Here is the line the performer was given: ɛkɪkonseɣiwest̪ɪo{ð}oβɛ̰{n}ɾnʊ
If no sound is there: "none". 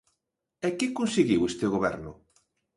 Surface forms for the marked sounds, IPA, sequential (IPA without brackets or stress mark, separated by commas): ɣ, none